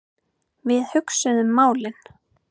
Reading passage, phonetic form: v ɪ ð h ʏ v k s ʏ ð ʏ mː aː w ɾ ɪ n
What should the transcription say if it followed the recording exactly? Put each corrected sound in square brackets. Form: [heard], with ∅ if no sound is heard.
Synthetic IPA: v ɪ ð h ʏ [∅] k s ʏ ð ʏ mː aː w [l] ɪ n